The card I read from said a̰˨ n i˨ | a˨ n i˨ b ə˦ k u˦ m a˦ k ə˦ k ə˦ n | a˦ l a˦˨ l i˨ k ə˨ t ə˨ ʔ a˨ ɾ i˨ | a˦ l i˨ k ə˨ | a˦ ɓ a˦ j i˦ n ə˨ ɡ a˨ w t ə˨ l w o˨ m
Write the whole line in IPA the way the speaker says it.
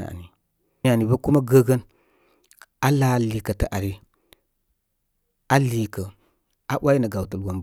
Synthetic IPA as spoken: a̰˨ n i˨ | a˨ n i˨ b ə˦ k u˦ m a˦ ɡ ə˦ ɡ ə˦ n | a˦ l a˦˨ l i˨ k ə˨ t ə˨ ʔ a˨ ɾ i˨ | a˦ l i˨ k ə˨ | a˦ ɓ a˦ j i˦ n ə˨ ɡ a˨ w t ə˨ l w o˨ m